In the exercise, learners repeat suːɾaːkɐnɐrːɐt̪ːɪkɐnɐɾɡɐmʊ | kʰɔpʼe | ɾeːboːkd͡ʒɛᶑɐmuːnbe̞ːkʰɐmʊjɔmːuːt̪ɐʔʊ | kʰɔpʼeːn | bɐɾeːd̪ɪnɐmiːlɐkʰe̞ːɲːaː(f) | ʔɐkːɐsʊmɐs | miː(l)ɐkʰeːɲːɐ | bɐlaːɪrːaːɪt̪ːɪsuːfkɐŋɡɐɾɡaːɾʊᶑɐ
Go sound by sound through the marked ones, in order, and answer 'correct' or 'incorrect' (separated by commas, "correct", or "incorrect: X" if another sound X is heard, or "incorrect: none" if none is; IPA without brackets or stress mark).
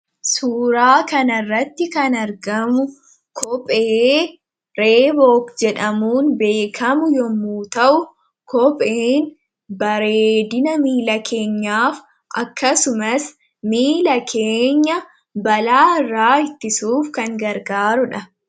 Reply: correct, correct